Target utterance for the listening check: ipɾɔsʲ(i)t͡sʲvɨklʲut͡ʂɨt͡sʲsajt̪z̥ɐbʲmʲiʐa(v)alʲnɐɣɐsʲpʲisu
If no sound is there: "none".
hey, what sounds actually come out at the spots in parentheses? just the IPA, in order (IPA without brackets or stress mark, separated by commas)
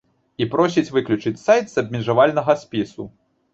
i, v